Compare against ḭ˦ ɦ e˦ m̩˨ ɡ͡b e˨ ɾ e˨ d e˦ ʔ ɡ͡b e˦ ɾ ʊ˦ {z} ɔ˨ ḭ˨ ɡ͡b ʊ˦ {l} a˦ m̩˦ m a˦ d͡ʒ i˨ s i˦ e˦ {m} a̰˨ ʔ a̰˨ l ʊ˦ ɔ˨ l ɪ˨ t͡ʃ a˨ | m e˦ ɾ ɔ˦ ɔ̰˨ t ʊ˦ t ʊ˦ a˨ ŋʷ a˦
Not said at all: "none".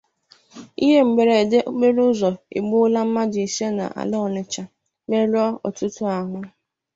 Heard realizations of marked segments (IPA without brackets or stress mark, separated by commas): z, l, n